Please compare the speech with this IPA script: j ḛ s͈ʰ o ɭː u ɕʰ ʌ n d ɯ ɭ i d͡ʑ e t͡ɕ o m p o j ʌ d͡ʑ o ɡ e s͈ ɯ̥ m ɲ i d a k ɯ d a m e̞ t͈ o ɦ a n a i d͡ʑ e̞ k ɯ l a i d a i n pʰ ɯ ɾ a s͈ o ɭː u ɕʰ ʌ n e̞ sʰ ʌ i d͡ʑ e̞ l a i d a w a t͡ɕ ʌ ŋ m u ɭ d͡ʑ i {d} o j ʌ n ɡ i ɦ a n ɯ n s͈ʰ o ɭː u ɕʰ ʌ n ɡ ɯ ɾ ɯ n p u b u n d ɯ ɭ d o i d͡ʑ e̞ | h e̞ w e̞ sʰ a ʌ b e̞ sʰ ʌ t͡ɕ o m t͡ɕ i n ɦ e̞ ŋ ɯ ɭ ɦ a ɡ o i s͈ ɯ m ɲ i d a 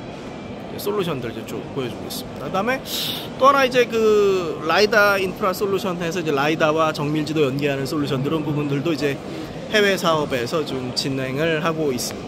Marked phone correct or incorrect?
correct